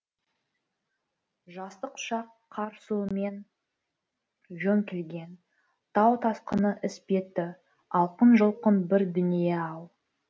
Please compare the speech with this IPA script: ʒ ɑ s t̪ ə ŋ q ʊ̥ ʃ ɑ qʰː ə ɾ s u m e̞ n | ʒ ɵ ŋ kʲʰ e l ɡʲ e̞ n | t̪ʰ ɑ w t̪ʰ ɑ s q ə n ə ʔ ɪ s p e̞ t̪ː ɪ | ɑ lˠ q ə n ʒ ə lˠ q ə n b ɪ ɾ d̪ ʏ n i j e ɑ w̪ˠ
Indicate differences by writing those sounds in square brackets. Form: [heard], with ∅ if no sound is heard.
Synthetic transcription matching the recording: ʒ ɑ s t̪ ə [∅] q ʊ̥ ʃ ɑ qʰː [ɑ] ɾ s u m e̞ n | ʒ ɵ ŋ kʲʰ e l ɡʲ e̞ n | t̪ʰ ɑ w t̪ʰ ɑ s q ə n ə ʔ ɪ s p e̞ t̪ː ɪ | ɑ lˠ q ə n ʒ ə lˠ q ə n b ɪ ɾ d̪ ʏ n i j e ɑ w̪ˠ